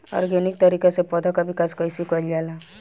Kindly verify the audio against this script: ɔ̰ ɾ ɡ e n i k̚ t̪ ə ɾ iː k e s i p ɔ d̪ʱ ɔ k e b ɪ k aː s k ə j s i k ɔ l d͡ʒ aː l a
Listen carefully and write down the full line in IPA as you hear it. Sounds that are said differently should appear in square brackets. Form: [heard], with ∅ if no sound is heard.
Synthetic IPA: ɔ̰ ɾ ɡ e n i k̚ t̪ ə ɾ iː k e s [e] p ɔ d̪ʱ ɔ k [a] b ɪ k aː s k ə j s i k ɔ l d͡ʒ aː l a

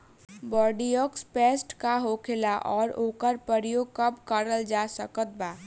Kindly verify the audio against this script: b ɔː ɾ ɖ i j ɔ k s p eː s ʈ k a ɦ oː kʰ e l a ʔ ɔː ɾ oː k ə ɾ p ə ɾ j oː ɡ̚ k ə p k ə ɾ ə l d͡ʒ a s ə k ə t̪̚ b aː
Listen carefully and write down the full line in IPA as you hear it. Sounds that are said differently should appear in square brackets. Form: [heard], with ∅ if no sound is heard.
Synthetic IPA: b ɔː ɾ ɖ i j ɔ k s p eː s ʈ k a ɦ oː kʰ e l a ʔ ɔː ɾ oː k ə ɾ p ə ɾ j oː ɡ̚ k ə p k ə ɾ ə l d͡ʒ a s ə k ə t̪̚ b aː

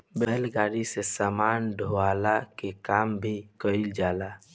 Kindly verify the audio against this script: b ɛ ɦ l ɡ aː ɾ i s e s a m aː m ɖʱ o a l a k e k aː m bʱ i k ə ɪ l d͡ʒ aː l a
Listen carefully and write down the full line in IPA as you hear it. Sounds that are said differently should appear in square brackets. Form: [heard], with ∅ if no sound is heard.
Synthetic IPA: b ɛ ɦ l ɡ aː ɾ i s e s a m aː [n] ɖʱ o a l a k e k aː m bʱ i k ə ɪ l d͡ʒ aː l a

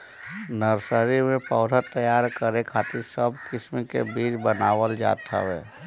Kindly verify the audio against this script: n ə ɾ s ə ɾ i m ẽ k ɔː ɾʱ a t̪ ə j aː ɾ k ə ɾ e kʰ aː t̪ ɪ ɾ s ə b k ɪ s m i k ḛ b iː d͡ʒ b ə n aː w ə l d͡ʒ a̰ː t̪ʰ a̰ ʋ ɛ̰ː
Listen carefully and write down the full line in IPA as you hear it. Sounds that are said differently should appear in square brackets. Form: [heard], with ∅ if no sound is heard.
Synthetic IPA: n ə ɾ s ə ɾ i m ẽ [p] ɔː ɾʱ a t̪ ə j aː ɾ k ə ɾ e kʰ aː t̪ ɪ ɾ s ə b k ɪ s m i k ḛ b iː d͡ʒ b ə n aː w ə l d͡ʒ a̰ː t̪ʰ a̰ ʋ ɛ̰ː

